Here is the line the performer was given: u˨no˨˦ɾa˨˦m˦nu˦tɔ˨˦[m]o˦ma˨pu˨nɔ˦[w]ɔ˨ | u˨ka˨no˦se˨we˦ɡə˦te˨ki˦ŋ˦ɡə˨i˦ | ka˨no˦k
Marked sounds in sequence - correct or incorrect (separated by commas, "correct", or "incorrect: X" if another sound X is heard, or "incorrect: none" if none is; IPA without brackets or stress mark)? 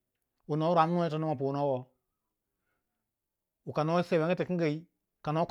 incorrect: n, correct